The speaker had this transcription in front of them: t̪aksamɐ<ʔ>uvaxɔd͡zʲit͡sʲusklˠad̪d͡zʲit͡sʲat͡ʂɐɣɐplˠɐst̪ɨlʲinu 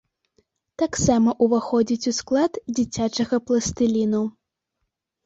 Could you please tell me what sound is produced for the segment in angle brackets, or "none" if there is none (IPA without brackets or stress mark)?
ʔ